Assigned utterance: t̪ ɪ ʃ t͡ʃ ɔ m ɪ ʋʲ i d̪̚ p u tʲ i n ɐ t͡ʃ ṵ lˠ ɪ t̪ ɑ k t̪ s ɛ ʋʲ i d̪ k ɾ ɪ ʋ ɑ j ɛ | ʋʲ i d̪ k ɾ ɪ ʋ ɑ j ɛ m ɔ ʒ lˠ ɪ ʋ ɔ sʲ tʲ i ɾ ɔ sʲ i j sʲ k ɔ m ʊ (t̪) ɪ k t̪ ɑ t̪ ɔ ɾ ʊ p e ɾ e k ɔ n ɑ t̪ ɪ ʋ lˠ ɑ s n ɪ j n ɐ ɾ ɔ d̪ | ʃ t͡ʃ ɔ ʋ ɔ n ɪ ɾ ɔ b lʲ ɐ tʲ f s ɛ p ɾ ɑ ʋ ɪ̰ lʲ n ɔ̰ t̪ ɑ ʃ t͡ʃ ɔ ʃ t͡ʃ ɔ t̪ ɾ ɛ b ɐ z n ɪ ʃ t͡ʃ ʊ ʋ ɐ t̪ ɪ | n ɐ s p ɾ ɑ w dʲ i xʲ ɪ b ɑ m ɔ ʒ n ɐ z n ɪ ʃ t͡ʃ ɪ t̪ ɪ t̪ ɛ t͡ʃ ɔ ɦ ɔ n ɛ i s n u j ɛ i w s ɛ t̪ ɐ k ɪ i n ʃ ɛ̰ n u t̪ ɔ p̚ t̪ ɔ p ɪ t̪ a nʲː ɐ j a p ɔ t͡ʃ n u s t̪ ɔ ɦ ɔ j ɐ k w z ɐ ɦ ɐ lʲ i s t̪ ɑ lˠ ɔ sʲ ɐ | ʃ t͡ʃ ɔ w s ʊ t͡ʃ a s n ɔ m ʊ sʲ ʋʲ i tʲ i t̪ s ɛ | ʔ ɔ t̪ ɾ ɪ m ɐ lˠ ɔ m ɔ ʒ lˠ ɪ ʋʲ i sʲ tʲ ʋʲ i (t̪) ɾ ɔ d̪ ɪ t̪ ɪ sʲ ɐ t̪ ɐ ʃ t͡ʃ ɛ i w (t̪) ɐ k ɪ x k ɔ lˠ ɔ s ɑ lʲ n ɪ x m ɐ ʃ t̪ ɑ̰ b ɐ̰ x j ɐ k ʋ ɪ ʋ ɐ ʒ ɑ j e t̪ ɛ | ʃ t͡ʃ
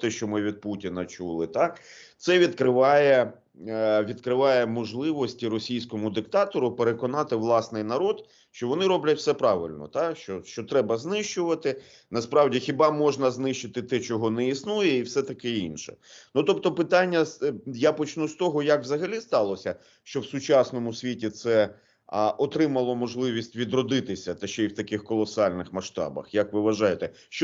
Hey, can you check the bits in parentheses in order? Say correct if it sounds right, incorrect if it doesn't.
incorrect: d̪, incorrect: d̪, correct

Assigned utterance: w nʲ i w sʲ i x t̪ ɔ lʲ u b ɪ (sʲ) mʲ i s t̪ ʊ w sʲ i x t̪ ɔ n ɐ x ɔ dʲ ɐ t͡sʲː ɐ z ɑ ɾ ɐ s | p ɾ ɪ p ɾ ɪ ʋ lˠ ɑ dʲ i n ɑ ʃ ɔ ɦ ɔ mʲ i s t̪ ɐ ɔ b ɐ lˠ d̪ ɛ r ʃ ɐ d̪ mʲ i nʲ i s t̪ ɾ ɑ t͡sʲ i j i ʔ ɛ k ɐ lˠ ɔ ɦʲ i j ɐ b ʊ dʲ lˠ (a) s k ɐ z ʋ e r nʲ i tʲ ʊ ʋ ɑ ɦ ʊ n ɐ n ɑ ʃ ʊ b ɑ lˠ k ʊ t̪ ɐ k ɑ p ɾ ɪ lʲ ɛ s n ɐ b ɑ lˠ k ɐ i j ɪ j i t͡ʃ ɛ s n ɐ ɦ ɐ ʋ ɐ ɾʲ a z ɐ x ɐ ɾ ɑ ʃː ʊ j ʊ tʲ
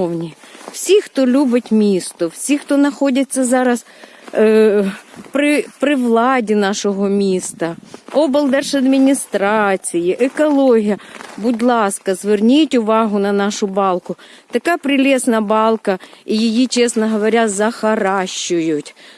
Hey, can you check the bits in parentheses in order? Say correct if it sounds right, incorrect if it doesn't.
incorrect: tʲ, incorrect: ɑ

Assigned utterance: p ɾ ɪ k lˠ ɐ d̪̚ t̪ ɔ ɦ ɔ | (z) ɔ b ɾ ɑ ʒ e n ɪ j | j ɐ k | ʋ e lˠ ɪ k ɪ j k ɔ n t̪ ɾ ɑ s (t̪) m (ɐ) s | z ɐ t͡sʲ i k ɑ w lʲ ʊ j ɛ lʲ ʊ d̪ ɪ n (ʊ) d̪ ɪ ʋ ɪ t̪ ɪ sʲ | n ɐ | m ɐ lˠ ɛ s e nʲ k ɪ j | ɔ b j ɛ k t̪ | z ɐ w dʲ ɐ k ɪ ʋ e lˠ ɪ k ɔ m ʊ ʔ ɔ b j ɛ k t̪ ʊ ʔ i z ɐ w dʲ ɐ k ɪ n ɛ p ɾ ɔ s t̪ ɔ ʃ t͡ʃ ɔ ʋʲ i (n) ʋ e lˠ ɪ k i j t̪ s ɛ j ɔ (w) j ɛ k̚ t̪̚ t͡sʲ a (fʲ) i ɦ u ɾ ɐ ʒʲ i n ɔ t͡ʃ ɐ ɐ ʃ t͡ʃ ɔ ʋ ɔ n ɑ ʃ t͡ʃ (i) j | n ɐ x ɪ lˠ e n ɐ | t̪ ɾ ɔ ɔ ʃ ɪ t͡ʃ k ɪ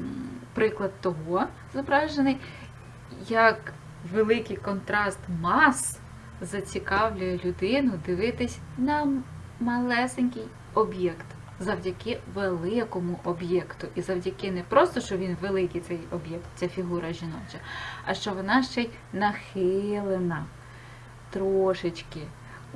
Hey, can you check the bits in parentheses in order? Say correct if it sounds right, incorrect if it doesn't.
correct, correct, incorrect: ɑ, correct, correct, incorrect: b, correct, incorrect: ɛ

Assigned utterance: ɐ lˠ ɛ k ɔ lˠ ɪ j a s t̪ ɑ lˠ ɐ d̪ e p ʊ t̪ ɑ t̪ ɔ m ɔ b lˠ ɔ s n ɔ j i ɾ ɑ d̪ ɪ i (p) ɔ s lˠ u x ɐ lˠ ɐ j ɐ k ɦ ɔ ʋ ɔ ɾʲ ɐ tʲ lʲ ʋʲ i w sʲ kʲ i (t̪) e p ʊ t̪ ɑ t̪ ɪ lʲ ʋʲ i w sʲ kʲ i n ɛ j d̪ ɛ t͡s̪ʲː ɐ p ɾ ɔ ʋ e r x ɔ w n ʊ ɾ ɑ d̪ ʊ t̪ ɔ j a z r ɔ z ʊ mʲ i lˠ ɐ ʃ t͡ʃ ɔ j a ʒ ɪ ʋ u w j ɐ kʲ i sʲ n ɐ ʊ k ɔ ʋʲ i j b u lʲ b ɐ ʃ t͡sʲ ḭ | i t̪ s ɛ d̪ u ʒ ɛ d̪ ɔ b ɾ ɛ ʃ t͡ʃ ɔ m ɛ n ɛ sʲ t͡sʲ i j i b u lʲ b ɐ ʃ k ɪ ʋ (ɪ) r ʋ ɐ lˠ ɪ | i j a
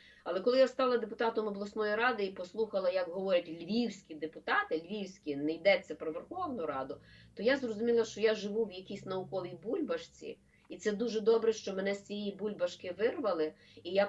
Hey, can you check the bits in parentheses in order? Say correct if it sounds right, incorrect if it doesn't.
correct, incorrect: d̪, correct

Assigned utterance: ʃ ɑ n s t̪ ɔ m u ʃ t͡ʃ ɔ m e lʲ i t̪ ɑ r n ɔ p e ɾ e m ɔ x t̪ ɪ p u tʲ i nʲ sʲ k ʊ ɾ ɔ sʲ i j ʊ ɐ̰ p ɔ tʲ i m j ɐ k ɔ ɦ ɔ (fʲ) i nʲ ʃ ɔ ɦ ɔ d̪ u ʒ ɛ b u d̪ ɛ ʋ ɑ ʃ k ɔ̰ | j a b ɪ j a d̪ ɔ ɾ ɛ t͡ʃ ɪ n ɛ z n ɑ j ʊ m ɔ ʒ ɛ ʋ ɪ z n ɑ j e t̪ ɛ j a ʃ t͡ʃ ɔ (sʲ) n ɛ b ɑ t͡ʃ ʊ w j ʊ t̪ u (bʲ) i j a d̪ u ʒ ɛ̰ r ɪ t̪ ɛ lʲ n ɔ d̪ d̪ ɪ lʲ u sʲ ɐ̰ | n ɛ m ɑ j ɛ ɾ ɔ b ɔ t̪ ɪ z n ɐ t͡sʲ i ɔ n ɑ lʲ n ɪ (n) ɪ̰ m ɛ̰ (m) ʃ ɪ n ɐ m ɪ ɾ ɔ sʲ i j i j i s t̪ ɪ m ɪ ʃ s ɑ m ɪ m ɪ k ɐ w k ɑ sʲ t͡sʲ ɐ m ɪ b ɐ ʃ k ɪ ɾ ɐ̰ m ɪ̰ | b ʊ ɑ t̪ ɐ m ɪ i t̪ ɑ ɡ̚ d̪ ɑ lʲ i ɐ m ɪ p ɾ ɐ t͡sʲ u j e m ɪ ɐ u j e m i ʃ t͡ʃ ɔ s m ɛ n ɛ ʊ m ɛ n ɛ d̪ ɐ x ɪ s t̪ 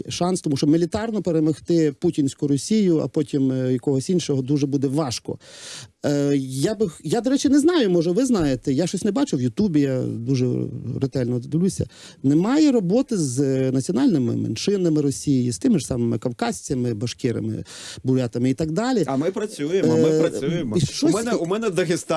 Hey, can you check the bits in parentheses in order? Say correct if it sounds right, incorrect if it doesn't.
incorrect: sʲ, correct, correct, incorrect: m, incorrect: n

